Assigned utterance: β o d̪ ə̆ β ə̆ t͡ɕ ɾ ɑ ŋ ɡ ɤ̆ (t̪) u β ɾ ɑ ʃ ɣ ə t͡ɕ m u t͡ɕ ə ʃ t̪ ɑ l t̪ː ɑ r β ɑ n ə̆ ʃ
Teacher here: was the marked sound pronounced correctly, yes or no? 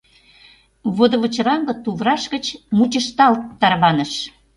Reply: yes